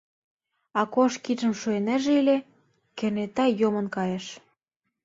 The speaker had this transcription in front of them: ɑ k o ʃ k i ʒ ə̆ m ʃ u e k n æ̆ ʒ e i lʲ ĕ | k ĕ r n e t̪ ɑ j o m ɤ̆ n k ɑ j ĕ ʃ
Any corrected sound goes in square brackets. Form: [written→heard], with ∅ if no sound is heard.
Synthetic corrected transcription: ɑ k o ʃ k i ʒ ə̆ m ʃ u e [k→∅] n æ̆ ʒ e i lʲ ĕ | k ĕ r n e t̪ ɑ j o m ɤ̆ n k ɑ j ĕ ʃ